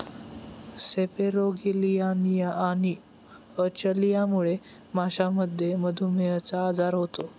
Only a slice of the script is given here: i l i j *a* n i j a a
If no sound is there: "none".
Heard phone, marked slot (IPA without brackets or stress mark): a